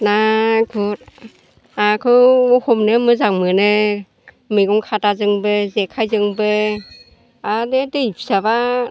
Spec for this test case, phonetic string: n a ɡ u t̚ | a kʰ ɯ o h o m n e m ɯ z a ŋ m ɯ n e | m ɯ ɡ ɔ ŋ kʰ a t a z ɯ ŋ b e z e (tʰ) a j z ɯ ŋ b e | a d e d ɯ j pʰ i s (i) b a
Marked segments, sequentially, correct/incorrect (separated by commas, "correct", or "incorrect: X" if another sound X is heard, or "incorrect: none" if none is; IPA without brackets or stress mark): incorrect: kʰ, incorrect: a